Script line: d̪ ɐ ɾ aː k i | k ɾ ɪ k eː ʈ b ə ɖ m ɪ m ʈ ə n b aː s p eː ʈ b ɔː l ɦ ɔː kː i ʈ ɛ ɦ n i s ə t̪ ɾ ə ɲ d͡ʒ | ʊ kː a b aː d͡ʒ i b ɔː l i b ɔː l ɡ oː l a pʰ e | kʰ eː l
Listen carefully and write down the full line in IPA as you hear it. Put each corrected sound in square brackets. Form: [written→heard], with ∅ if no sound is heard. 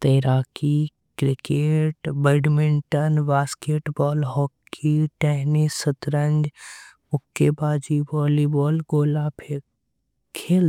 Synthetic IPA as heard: [d̪→t̪] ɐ ɾ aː k i | k ɾ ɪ k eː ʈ b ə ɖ m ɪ [m→ɳ] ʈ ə n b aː s [p→k] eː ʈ b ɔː l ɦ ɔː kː i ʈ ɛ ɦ n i s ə t̪ ɾ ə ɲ d͡ʒ | ʊ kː [a→e] b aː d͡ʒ i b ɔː l i b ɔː l ɡ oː l a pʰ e | kʰ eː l